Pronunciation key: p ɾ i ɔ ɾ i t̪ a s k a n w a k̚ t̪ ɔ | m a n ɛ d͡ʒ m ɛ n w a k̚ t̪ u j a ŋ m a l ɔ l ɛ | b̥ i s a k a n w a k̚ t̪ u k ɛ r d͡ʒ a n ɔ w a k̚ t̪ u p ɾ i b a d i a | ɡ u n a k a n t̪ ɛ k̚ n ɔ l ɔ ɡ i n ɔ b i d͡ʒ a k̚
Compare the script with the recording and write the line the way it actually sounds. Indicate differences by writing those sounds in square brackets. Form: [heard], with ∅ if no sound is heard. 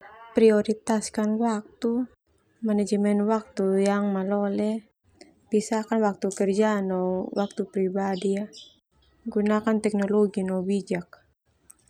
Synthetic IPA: p ɾ i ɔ ɾ i t̪ a s k a n w a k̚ t̪ [u] | m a n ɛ d͡ʒ m ɛ n w a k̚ t̪ u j a ŋ m a l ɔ l ɛ | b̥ i s a k a n w a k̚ t̪ u k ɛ r d͡ʒ a n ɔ w a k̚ t̪ u p ɾ i b a d i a | ɡ u n a k a n t̪ ɛ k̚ n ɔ l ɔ ɡ i n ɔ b i d͡ʒ a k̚